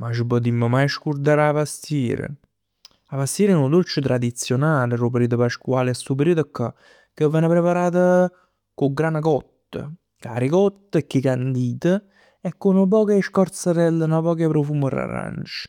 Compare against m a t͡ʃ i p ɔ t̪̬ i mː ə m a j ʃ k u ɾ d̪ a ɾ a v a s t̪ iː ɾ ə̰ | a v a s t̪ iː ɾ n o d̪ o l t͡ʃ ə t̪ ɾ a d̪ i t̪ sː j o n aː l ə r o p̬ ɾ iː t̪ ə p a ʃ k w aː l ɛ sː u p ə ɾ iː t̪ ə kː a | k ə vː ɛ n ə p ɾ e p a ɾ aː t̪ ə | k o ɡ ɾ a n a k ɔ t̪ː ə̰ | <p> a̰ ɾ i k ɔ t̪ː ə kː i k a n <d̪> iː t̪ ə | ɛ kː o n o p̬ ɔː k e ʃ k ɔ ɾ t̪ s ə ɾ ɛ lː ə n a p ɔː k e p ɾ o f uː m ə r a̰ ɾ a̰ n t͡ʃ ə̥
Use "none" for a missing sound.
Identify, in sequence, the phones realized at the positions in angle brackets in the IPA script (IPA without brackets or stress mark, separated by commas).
k, d̪